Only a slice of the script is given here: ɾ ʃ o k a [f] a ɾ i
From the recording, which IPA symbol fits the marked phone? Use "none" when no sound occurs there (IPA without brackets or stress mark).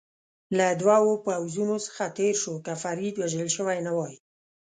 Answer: f